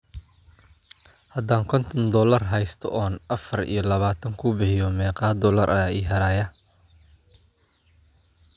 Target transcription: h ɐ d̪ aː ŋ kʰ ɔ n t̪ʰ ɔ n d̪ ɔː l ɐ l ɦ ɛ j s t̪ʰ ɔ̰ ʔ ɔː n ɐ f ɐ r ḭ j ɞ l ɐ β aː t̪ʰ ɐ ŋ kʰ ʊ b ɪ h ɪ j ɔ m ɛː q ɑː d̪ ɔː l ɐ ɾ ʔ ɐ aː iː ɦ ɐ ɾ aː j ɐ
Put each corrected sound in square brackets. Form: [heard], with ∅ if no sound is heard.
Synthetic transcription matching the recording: h ɐ d̪ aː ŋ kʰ ɔ n t̪ʰ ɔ n d̪ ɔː l ɐ [r] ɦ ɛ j s t̪ʰ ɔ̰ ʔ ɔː n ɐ f ɐ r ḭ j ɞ l ɐ β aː t̪ʰ ɐ ŋ kʰ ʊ b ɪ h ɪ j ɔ m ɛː q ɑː d̪ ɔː l ɐ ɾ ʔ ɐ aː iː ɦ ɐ ɾ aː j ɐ